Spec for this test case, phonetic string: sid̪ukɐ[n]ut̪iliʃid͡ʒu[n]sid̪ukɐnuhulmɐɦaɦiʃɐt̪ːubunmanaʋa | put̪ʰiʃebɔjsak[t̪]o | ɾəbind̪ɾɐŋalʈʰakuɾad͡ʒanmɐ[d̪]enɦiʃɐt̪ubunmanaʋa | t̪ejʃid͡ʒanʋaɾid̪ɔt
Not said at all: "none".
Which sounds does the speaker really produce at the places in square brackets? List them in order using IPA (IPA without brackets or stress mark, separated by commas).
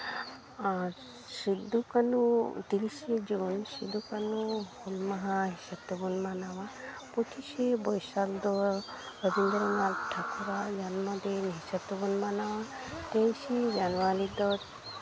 n, n, d̪, d̪